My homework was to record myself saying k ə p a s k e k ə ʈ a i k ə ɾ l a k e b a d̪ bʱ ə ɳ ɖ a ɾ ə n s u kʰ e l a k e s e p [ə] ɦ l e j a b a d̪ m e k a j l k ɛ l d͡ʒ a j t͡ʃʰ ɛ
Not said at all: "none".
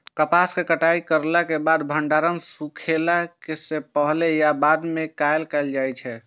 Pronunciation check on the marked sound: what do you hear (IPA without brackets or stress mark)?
ə